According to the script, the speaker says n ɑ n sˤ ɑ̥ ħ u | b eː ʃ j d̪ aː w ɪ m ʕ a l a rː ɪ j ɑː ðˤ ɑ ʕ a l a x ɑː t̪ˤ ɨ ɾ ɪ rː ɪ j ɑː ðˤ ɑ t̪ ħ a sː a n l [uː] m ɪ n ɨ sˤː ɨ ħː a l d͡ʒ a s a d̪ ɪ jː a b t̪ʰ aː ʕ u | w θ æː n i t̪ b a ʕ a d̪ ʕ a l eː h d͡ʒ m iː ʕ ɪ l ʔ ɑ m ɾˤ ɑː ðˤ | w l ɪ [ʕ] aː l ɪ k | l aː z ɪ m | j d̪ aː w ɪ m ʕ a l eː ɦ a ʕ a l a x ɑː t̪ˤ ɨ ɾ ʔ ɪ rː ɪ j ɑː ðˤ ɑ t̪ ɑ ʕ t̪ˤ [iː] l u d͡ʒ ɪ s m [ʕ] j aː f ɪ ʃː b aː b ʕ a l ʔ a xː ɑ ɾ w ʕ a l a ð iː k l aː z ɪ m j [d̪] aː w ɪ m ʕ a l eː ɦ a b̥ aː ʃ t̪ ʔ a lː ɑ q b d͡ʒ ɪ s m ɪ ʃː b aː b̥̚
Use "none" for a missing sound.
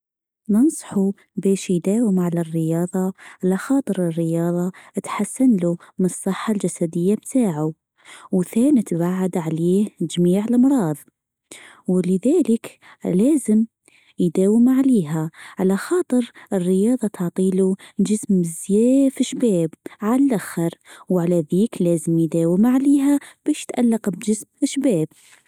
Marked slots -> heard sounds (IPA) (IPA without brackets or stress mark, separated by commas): u, ð, iː, z, d̪